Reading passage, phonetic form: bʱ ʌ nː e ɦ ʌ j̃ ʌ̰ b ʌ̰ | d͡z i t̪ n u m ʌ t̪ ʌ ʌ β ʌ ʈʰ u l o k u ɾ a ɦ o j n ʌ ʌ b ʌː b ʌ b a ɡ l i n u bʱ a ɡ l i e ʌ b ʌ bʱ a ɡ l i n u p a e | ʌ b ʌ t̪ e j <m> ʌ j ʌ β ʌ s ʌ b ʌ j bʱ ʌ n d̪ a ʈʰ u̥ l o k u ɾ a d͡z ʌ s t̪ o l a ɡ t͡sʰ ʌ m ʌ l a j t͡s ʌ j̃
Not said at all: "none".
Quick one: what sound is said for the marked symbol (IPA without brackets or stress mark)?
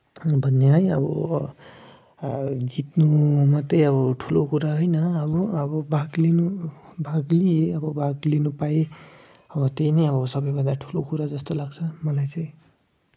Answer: n